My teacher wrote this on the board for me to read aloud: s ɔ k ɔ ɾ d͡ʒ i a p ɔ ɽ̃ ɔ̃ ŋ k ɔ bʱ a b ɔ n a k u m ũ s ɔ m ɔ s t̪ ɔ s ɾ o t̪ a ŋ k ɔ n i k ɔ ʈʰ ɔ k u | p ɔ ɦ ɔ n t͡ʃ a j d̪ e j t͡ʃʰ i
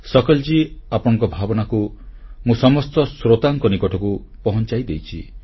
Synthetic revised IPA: s ɔ k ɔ l d͡ʒ i a p ɔ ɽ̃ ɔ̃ ŋ k ɔ bʱ a b ɔ n a k u m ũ s ɔ m ɔ s t̪ ɔ s ɾ o t̪ a ŋ k ɔ n i k ɔ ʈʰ ɔ k u | p ɔ ɦ ɔ n t͡ʃ a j d̪ e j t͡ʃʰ i